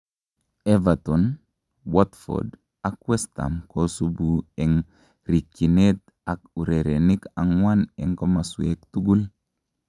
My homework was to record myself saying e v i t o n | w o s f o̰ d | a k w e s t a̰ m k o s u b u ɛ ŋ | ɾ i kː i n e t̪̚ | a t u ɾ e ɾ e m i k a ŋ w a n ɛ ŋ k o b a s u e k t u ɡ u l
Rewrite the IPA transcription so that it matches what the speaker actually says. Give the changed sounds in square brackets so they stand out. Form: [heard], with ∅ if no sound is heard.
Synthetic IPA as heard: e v [a] t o n | w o [t] f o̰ d | a k w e s t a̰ m k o s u b u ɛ ŋ | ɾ i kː i n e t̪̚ | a [k] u ɾ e ɾ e [n] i k a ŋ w a n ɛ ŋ k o [m] a s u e k t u ɡ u l

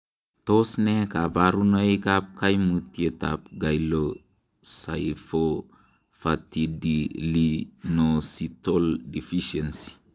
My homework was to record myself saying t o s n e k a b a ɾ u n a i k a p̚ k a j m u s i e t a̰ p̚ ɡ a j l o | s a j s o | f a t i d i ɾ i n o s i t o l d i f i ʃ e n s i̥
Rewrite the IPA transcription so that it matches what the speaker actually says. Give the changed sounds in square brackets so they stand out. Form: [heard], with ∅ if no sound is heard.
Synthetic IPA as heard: t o s n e k a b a ɾ u n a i k a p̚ k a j m u [t] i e t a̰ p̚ ɡ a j l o | s a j [f] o | f a t i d i [l] i n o s i t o l d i f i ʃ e n s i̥

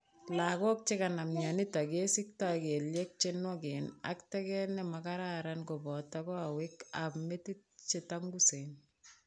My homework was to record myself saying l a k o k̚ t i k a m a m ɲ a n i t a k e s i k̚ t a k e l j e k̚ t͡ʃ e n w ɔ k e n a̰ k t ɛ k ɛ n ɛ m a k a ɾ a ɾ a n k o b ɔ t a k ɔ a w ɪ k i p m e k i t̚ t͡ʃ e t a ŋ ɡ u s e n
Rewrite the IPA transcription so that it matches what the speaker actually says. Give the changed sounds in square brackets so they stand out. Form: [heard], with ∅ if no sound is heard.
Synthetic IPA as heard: l a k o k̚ [t͡ʃ] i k a [n] a m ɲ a n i t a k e s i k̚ t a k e l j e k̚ t͡ʃ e n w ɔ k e n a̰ k t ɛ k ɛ n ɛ m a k a ɾ a ɾ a n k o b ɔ t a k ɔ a w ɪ k [a] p m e [t] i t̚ t͡ʃ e t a ŋ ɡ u s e n

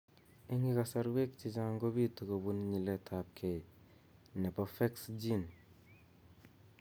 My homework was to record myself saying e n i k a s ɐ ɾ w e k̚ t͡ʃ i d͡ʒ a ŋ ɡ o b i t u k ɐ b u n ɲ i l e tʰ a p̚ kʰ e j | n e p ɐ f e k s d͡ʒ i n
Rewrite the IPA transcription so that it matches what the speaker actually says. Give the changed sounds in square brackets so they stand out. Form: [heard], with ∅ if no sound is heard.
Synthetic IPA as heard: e [ŋ] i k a s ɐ ɾ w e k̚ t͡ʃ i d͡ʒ a ŋ ɡ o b i t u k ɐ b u n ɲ i l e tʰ a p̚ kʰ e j | n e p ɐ f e k s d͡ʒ i n

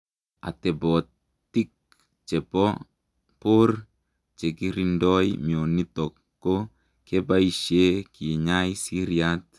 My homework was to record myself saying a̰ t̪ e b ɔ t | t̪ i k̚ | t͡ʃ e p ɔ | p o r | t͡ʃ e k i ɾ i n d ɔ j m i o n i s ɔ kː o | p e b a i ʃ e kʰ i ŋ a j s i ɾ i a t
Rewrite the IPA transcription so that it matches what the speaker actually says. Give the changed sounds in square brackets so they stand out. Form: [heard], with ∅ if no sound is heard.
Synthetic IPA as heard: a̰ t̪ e b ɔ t | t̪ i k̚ | t͡ʃ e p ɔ | p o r | t͡ʃ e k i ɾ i n d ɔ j m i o n i [t] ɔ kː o | [k] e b a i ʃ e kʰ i [ɲ] a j s i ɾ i a t

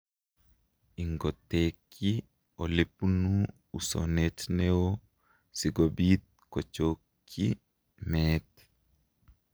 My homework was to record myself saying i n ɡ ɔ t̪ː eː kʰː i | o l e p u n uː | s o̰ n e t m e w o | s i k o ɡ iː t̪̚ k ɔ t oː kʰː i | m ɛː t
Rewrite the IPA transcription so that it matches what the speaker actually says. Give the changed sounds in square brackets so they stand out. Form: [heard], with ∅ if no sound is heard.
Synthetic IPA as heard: i [ŋ] ɡ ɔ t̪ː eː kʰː i | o l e p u n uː | s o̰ n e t [n] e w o | s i [ɡ] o [b] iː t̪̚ k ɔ [t͡ʃ] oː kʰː i | m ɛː t

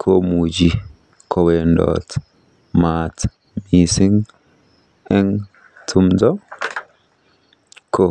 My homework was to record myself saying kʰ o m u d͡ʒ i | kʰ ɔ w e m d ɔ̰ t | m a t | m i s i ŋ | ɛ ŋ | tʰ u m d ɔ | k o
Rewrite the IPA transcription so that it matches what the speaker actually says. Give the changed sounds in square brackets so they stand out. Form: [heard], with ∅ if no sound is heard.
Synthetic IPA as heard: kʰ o m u d͡ʒ i | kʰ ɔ w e [n] d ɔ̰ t | m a t | m i s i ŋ | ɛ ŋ | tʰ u m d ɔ | k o

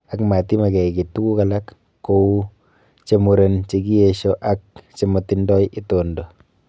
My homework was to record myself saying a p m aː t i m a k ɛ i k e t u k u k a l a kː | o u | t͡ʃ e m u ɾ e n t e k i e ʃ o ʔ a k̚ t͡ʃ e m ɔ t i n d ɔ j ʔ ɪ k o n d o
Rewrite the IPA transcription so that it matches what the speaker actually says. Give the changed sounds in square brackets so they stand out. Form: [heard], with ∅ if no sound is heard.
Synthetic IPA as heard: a [k] m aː t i m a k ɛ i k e t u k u k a l a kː | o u | t͡ʃ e m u ɾ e n [t͡ʃ] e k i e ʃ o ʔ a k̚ t͡ʃ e m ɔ t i n d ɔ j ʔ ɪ [t] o n d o

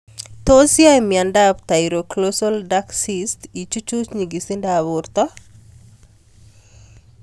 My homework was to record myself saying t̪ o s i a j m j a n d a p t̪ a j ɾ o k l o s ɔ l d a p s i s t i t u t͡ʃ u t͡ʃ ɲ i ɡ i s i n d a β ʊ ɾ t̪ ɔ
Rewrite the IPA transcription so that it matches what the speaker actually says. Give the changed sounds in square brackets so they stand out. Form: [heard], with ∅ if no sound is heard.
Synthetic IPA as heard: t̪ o s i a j m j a n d a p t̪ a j ɾ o k l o s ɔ l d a [k] s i s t i [t͡ʃ] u t͡ʃ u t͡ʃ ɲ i ɡ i s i n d a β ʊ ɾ t̪ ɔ

